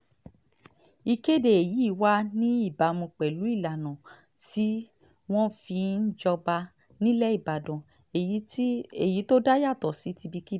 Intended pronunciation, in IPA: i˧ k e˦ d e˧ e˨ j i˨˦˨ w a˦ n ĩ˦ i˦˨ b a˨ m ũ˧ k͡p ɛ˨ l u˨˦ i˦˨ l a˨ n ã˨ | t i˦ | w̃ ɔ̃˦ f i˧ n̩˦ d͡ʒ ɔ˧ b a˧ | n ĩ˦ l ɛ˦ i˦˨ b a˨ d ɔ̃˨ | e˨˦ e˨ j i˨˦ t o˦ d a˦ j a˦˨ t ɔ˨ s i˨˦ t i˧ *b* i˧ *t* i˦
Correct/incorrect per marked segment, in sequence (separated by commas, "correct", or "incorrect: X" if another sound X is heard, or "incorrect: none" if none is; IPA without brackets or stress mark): correct, incorrect: k